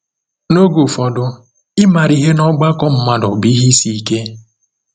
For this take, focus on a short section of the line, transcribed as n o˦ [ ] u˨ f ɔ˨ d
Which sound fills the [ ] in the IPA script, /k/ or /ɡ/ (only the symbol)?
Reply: ɡ